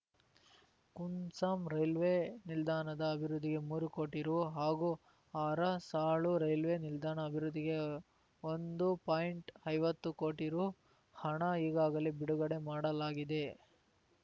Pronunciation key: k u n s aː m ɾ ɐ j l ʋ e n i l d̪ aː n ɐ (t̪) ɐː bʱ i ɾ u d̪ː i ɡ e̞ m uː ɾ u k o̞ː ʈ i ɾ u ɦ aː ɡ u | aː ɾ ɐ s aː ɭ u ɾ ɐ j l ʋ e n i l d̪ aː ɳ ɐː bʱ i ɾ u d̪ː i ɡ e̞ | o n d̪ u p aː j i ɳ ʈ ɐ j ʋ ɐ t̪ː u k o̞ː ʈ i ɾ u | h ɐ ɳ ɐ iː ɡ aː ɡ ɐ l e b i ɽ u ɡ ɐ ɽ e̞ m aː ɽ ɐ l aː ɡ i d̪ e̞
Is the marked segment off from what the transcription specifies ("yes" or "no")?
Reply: yes